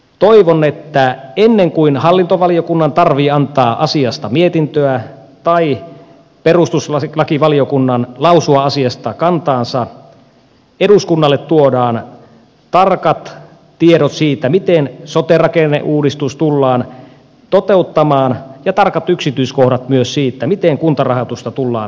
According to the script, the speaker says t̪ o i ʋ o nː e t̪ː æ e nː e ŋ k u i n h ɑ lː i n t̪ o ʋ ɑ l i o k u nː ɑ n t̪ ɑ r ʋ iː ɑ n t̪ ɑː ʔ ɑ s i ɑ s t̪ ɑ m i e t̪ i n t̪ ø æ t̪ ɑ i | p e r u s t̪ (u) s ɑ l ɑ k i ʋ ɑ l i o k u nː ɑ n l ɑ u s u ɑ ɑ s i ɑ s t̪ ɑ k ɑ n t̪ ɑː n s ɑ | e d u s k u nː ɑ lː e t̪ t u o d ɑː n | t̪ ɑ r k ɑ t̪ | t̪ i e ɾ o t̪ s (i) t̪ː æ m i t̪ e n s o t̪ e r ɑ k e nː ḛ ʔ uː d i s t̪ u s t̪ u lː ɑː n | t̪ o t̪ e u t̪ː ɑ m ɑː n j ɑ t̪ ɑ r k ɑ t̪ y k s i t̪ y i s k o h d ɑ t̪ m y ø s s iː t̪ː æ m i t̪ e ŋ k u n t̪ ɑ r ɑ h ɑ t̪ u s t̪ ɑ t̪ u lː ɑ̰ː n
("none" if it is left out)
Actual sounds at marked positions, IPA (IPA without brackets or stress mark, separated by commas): u, iː